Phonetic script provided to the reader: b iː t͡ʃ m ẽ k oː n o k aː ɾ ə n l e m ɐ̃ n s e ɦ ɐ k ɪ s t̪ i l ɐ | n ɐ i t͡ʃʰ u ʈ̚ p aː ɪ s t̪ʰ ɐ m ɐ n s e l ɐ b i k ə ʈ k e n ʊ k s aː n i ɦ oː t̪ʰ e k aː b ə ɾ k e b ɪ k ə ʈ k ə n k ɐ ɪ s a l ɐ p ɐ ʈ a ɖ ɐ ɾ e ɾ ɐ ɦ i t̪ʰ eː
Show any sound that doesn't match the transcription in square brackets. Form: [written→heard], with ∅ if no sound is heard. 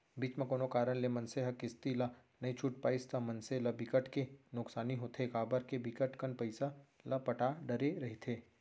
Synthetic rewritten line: b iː t͡ʃ m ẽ k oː n o k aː ɾ ə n l e m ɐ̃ n s e ɦ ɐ k ɪ s t̪ i l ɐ | n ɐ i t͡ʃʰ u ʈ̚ p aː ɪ s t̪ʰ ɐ m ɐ n s e l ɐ b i k ə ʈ k e n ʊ k s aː n i ɦ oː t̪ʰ e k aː b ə ɾ k e b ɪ k ə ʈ k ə n [k→p] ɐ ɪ s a l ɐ p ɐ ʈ a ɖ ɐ ɾ e ɾ ɐ ɦ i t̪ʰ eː